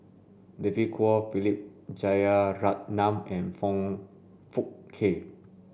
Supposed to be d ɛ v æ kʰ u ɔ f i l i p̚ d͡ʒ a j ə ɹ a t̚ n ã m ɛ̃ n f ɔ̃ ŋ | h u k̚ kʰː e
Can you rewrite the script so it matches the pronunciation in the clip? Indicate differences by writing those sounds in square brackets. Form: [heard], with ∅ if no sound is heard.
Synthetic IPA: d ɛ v [i] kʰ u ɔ f i l i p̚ d͡ʒ a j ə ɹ a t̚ n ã m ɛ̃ n f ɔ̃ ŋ | [f] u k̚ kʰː e